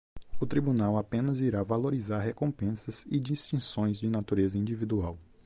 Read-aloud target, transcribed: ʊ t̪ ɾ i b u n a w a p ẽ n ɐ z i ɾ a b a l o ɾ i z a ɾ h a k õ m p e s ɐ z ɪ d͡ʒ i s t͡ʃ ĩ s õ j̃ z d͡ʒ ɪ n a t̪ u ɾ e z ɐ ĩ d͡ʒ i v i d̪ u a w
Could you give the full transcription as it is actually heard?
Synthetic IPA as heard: ʊ t̪ ɾ i b u n a w a p ẽ n ɐ z i ɾ a v a l o ɾ i z a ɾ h e k õ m p ẽ s ɐ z ɪ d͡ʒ i s t͡ʃ ĩ s õ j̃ z d͡ʒ ɪ n a t̪ u ɾ e z ɐ ĩ d͡ʒ i v i d̪ u a w